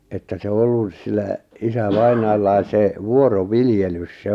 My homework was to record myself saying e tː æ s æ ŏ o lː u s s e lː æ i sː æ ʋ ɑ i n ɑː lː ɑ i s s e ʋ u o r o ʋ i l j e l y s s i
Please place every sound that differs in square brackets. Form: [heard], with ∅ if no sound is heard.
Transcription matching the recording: e tː æ s [e] ŏ o lː u s s [i] lː æ i [s] æ ʋ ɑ i n ɑː lː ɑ i s s e ʋ u o r o ʋ i l j e l y s s [e]